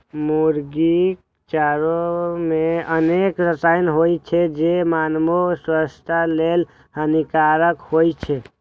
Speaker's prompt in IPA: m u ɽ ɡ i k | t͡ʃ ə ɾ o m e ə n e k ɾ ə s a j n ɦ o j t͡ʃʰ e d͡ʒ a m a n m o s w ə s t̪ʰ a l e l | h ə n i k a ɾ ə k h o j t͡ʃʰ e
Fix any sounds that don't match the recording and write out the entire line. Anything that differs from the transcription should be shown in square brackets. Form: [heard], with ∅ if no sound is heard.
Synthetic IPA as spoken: m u [ɾ] ɡ i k | t͡ʃ [a] ɾ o m e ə n e k ɾ ə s a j n ɦ o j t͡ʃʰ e d͡ʒ [e] m a n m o s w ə s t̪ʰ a l e l | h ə n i k a ɾ ə k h o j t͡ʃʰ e